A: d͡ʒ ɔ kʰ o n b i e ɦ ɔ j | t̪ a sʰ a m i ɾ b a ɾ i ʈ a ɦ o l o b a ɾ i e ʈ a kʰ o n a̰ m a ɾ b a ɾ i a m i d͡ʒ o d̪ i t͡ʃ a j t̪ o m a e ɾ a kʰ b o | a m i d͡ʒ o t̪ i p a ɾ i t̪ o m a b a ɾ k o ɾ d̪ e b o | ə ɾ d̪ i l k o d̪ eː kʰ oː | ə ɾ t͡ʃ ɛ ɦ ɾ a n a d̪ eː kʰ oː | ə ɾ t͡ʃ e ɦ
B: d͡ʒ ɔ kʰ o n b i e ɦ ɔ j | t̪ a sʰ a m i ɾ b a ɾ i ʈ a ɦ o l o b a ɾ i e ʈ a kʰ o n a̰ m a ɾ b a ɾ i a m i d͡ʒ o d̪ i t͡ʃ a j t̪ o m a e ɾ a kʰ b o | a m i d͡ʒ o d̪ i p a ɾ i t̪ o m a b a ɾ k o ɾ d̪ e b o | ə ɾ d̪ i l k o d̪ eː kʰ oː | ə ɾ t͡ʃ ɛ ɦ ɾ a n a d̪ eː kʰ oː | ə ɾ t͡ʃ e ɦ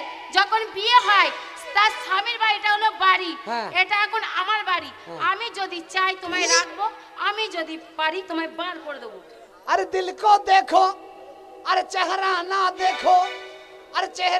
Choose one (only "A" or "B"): B